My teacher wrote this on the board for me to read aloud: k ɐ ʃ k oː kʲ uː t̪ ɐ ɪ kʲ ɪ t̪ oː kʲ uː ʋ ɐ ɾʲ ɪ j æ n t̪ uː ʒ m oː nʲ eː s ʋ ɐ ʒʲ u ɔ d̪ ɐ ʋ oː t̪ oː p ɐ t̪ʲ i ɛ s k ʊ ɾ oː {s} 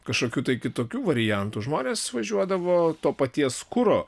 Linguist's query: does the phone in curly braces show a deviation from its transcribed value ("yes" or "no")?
yes